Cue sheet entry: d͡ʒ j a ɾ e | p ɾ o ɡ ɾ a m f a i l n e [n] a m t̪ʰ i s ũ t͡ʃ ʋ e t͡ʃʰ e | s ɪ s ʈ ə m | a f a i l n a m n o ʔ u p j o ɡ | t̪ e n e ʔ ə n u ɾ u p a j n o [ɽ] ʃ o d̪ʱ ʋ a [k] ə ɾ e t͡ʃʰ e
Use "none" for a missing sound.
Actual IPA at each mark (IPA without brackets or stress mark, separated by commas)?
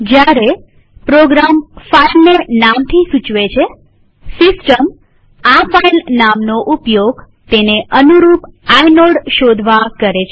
n, ɽ, k